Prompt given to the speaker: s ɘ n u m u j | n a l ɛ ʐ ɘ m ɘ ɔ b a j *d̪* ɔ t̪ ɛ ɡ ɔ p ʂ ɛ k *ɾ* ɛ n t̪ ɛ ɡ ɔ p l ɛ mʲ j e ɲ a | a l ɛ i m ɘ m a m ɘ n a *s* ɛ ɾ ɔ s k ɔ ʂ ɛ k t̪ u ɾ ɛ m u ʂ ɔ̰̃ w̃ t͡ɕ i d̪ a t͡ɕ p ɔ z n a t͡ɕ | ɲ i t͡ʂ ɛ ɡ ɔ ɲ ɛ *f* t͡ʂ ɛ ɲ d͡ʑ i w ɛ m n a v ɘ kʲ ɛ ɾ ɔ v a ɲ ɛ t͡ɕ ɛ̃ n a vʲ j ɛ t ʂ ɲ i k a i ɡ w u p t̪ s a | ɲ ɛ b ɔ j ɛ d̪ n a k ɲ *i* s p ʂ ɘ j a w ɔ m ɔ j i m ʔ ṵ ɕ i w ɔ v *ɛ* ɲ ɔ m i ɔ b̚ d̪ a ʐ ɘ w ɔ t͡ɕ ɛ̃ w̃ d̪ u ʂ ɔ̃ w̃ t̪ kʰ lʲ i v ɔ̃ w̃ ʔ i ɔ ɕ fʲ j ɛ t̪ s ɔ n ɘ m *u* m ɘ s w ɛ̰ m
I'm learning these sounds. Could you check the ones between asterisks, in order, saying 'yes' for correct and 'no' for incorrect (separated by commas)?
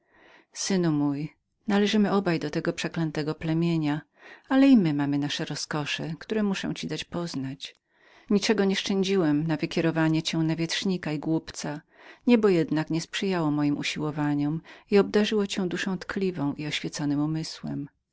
yes, no, no, no, no, no, yes